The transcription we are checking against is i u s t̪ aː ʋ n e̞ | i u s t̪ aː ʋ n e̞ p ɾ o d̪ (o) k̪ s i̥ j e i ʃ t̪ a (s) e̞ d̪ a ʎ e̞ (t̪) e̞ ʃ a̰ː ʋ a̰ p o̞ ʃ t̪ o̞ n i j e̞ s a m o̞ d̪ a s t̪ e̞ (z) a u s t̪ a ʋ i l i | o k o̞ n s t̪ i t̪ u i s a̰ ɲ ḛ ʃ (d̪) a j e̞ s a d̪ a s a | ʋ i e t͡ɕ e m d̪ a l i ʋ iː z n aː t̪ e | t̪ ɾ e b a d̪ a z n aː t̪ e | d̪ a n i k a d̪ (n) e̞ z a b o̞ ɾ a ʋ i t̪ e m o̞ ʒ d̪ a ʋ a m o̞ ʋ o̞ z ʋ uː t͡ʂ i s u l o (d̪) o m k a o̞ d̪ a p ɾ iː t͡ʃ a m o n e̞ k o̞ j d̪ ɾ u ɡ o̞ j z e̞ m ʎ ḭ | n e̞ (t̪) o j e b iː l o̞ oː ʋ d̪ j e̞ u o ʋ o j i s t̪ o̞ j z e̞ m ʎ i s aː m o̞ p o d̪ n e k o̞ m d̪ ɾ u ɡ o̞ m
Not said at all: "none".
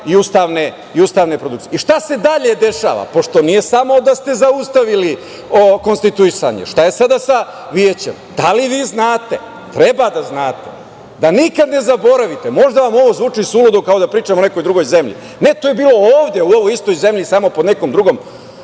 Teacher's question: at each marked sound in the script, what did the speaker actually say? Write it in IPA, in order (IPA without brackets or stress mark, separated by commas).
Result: u, s, d̪, z, t̪, n, d̪, t̪